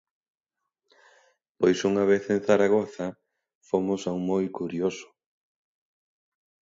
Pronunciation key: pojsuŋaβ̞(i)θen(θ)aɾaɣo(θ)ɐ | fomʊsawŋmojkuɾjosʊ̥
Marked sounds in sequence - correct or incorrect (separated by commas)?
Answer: incorrect, correct, correct